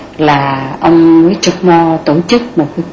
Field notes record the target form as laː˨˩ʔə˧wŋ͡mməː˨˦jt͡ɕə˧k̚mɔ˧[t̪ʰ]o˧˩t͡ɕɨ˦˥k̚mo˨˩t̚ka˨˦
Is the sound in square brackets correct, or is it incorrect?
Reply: incorrect